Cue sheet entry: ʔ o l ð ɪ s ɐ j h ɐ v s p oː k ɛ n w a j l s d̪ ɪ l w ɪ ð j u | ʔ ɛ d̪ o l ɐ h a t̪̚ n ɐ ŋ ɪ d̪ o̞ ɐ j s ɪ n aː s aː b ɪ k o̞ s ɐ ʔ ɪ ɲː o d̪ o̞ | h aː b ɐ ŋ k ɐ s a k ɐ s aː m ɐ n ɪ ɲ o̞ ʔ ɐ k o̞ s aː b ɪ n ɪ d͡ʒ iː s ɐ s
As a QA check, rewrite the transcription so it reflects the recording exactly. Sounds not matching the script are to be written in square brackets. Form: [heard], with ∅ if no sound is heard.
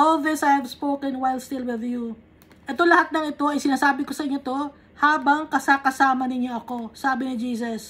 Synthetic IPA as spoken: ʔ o l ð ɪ s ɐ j h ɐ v s p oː k ɛ n w a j l s [t̪] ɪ l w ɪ ð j u | ʔ ɛ [t̪] o l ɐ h a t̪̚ n ɐ ŋ ɪ [t̪] o̞ ɐ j s ɪ n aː s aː b ɪ k o̞ s ɐ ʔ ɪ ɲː o [t̪] o̞ | h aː b ɐ ŋ k ɐ s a k ɐ s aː m ɐ n ɪ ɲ o̞ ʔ ɐ k o̞ s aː b ɪ n ɪ d͡ʒ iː s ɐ s